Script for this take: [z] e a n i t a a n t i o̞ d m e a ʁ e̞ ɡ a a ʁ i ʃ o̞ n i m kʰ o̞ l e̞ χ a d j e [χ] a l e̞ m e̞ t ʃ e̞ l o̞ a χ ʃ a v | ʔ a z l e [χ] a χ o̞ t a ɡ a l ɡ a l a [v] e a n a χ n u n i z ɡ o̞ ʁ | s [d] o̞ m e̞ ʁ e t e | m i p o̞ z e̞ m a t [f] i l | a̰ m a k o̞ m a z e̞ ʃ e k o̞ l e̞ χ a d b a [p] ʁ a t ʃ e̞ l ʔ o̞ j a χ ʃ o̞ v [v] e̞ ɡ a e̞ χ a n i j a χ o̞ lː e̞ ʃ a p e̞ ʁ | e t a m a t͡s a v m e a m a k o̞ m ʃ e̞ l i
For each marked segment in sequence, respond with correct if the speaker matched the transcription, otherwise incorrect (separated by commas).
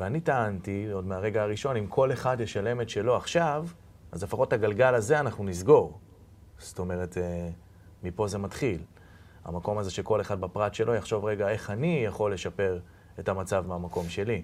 incorrect, incorrect, incorrect, incorrect, incorrect, incorrect, correct, incorrect